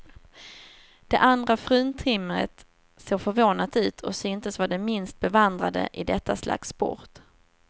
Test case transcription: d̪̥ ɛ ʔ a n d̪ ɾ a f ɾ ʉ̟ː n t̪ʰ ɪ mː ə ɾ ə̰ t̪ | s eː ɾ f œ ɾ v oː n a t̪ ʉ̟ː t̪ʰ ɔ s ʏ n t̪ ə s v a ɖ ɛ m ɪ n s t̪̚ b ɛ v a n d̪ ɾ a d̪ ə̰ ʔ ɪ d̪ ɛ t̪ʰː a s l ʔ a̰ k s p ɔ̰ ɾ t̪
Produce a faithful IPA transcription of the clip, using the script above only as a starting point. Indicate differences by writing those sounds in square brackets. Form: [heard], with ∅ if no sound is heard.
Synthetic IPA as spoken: d̪̥ ɛ ʔ a n d̪ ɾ a f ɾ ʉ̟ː n t̪ʰ ɪ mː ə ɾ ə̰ t̪ | s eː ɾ f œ ɾ v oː n a t̪ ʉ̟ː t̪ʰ ɔ s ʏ n t̪ ə s v a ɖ ɛ m ɪ n s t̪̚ b ɛ v a n d̪ ɾ a d̪ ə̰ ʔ ɪ d̪ ɛ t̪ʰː a s l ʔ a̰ k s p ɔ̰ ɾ t̪

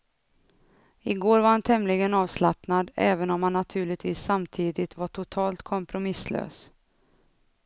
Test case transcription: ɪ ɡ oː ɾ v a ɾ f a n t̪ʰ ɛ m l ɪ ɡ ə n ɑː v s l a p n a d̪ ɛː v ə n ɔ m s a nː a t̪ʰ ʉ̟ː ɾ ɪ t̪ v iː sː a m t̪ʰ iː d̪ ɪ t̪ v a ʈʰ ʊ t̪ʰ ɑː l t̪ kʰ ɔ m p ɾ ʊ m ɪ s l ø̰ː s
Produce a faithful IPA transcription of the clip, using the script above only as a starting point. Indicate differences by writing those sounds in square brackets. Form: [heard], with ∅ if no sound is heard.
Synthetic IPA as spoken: ɪ ɡ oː ɾ v a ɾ [h] a n t̪ʰ ɛ m l ɪ ɡ ə n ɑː v s l a p n a d̪ ɛː v ə n ɔ m [h] a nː a t̪ʰ ʉ̟ː [ɭ] ɪ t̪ v iː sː a m t̪ʰ iː d̪ ɪ t̪ v a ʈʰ ʊ t̪ʰ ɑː l t̪ kʰ ɔ m p ɾ ʊ m ɪ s l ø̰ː s

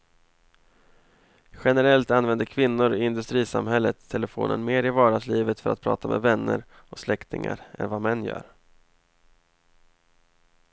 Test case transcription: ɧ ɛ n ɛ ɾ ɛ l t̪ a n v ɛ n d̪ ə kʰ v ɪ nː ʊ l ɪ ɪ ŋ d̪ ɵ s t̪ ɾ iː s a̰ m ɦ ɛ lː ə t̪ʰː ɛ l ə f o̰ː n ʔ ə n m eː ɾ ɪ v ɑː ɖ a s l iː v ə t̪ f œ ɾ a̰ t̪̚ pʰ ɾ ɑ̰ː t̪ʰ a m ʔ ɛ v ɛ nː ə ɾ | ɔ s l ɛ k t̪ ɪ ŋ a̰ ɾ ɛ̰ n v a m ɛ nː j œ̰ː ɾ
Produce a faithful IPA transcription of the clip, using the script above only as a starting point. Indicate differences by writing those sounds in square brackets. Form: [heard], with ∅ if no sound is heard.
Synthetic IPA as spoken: ɧ ɛ n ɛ ɾ ɛ l t̪ a n v ɛ n d̪ ə kʰ v ɪ nː ʊ [ɾ] ɪ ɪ [n] d̪ ɵ s t̪ ɾ iː s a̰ m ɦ ɛ lː ə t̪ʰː ɛ l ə f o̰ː n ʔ ə n m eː ɾ ɪ v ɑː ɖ a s l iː v ə t̪ f œ ɾ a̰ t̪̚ pʰ ɾ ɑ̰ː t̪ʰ a m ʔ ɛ v ɛ nː ə ɾ | ɔ s l ɛ k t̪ ɪ ŋ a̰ ɾ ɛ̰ n v a m ɛ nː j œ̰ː ɾ

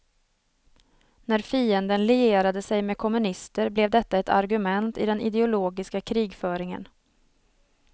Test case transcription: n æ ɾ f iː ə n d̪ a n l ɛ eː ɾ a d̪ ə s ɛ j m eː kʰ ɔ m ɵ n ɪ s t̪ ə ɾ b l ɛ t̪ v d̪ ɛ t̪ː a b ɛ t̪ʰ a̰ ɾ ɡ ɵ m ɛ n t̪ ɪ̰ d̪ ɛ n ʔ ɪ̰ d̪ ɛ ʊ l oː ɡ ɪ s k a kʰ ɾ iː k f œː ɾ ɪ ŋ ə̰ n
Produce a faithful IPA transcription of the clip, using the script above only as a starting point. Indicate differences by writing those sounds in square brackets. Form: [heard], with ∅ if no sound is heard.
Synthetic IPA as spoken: n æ ɾ f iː ə n d̪ [ə] n l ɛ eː ɾ a d̪ ə s ɛ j m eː kʰ ɔ m ɵ n ɪ s t̪ ə ɾ b l ɛ [∅] v d̪ ɛ t̪ː a [∅] ɛ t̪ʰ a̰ ɾ ɡ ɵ m ɛ n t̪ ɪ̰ d̪ ɛ n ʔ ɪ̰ d̪ ɛ ʊ l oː ɡ ɪ s k a kʰ ɾ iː [ɡ] f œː ɾ ɪ ŋ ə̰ n

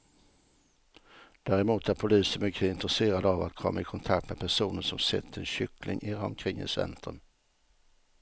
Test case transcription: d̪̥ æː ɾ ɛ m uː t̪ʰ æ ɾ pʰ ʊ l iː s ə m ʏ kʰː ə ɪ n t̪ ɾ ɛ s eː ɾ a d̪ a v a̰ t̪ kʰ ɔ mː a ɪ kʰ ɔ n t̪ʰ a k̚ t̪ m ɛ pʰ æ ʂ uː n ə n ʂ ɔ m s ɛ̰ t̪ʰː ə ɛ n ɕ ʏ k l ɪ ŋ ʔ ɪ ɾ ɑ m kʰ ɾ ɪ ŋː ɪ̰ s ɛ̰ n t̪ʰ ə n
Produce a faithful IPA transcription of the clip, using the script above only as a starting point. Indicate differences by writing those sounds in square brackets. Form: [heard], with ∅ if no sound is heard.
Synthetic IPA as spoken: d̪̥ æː ɾ ɛ m uː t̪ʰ æ ɾ pʰ ʊ l iː s ə m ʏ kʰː ə ɪ n t̪ ɾ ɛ s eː ɾ a d̪ a v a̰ t̪ kʰ ɔ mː a ɪ kʰ ɔ n t̪ʰ a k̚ t̪ m ɛ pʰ æ ʂ uː n ə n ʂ ɔ m s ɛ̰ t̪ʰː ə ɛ n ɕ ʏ k l ɪ ŋ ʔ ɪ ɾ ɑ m kʰ ɾ ɪ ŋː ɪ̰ s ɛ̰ n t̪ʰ ə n

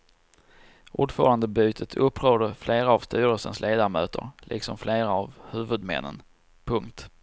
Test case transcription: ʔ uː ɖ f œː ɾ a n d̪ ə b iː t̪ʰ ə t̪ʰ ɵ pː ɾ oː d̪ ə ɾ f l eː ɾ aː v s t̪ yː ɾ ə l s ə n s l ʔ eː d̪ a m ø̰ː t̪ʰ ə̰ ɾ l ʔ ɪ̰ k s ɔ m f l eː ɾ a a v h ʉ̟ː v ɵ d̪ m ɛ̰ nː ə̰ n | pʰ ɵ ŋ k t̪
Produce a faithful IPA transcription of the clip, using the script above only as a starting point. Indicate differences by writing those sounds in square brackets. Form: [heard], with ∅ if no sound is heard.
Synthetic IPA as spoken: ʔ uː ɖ f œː ɾ a n d̪ ə b [yː] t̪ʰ ə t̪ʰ ɵ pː ɾ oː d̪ ə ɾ f l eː ɾ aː v s t̪ yː ɾ ə l s ə n s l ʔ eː d̪ a m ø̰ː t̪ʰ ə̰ ɾ l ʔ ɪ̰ k s ɔ m f l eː ɾ a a v h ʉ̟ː v ɵ d̪ m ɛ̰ nː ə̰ n | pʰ ɵ ŋ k t̪

